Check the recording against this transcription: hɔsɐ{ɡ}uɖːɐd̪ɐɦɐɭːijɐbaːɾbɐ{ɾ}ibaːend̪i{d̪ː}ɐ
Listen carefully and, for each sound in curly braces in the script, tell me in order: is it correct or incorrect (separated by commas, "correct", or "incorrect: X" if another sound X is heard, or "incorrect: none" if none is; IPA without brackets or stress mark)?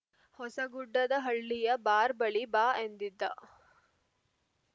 correct, incorrect: ɭ, correct